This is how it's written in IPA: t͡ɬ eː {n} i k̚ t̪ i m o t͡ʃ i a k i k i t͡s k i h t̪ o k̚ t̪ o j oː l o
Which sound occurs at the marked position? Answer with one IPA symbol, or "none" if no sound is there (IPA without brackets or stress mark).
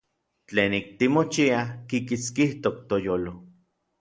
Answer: n